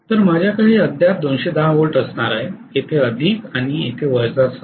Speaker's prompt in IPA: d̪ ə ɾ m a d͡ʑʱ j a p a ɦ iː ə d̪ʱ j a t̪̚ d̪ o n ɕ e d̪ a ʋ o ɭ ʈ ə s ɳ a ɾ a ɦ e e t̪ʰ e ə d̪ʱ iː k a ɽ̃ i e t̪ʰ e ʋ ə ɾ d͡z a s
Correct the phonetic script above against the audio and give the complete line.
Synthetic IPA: t̪ ə ɾ m a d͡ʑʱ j a k a ɦ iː ə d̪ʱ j a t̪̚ d̪ o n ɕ e d̪ a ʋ o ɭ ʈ ə s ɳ a ɾ a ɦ e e t̪ʰ e ə d̪ʱ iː k a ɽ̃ i e t̪ʰ e ʋ ə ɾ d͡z a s

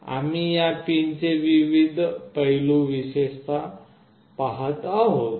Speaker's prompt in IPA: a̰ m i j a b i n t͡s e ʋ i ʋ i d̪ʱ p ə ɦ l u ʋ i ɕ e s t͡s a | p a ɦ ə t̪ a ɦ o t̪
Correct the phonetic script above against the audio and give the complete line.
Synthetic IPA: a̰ m i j a p i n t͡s e ʋ i ʋ i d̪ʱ p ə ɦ l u ʋ i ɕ e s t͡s a | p a ɦ ə t̪ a ɦ o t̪

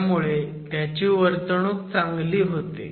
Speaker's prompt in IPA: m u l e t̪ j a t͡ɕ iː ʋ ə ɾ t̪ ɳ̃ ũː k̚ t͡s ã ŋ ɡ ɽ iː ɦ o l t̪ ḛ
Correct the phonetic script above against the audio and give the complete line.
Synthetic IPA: m u ɭ e t̪ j a t͡ɕ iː ʋ ə ɾ t̪ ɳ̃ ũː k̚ t͡s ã ŋ ɡ l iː ɦ o t̪ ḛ

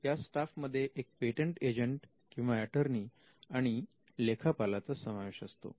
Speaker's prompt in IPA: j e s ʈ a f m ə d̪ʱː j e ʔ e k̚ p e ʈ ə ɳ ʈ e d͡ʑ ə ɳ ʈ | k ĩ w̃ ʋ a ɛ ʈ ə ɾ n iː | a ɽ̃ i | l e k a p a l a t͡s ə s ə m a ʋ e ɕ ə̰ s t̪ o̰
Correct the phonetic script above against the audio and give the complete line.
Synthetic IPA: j a s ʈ a f m ə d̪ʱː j e ʔ e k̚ p e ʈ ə ɳ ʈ e d͡ʑ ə ɳ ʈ | k ĩ w̃ ʋ a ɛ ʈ ə ɾ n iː | a ɽ̃ i | l e kʰ a p a l a t͡s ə s ə m a ʋ e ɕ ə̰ s t̪ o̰

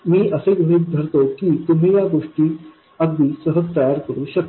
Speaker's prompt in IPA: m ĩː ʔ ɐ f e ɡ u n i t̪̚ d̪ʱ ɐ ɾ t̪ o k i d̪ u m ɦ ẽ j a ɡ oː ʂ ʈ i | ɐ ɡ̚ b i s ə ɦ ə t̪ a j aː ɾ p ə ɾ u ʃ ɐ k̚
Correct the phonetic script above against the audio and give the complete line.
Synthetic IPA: m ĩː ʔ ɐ s e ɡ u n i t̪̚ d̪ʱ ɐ ɾ t̪ o k i t̪ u m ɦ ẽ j a ɡ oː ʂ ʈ i | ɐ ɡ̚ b i s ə ɦ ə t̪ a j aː ɾ k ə ɾ u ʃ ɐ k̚

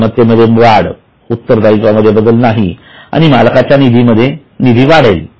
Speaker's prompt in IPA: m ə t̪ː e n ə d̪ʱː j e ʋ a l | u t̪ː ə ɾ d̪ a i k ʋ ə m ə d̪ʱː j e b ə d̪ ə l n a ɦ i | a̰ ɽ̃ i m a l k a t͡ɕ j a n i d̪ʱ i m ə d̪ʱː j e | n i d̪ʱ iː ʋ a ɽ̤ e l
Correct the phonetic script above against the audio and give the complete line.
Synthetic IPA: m ə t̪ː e m ə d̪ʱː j e ʋ a ɽ | u t̪ː ə ɾ d̪ a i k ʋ a m ə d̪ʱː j e b ə d̪ ə l n a ɦ i | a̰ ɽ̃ i m a l k a t͡ɕ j a n i d̪ʱ i m ə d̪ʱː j e | n i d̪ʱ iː ʋ a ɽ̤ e l

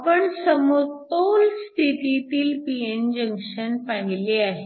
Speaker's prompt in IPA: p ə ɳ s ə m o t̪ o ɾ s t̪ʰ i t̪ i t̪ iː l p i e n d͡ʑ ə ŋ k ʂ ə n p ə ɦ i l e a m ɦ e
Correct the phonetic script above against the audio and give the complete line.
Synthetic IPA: p ə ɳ s ə m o t̪ o l s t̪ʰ i t̪ i t̪ iː l p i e n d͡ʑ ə ŋ k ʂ ə n p a ɦ i l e a ɦ e

